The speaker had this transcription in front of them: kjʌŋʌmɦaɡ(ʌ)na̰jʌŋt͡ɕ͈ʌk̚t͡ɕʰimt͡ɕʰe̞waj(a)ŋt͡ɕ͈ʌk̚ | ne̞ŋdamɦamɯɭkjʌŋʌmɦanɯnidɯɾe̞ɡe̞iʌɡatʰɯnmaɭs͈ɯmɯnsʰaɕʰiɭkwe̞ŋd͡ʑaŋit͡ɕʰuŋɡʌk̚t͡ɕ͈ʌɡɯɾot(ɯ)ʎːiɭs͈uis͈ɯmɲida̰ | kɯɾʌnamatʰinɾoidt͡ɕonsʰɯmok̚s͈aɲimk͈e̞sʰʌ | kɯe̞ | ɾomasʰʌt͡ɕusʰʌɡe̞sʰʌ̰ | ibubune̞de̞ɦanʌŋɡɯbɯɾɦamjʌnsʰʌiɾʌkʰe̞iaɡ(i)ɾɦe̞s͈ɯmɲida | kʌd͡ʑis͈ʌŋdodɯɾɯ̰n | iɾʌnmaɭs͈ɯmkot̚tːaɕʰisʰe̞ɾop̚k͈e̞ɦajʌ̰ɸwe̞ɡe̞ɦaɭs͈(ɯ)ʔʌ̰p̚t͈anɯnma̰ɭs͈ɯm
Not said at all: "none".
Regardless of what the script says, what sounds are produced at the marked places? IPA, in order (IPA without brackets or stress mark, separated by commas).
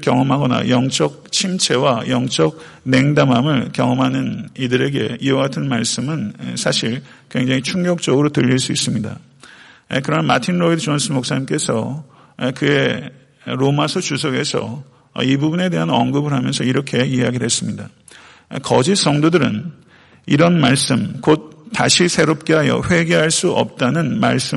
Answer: ʌ, ʌ, ɯ, i, u